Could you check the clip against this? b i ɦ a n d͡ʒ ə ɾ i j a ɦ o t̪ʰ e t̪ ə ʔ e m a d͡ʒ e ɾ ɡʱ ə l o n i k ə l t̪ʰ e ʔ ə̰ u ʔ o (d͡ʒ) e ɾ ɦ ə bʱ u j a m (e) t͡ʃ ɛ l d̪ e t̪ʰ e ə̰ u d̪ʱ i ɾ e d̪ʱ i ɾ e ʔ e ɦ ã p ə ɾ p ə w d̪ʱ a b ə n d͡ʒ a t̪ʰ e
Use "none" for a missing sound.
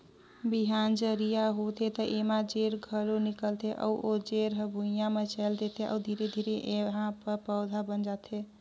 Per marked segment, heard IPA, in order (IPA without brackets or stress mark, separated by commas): d͡ʒ, e